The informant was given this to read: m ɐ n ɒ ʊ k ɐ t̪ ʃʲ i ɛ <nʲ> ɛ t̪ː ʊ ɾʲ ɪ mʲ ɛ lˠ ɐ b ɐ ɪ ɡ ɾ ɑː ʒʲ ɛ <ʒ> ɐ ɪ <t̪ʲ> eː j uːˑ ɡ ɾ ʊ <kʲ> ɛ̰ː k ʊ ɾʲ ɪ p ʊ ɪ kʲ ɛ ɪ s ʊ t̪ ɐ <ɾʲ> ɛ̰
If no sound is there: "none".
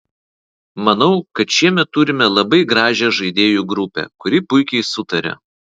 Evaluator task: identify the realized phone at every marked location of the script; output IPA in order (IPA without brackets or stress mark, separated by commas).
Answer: mʲ, ʒ, d̪ʲ, pʲ, ɾʲ